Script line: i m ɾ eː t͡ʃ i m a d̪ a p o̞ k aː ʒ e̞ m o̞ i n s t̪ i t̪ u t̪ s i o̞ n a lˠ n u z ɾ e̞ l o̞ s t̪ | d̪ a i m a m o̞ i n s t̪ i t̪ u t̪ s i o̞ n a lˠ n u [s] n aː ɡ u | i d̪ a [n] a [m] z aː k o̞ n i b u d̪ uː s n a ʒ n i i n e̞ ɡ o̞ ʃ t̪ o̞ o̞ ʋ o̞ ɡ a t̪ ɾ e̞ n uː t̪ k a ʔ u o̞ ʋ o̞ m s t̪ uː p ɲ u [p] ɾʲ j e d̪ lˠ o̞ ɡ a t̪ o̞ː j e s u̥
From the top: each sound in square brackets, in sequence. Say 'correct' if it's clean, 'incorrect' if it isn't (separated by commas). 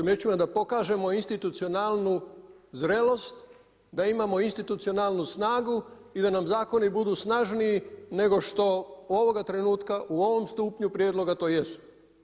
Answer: correct, correct, correct, correct